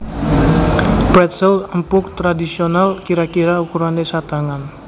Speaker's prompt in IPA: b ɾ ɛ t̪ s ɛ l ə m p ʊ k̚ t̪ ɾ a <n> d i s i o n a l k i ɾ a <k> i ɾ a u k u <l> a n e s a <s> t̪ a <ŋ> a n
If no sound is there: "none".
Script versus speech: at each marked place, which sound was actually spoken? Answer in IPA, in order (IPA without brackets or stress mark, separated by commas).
none, k, ɾ, none, ŋ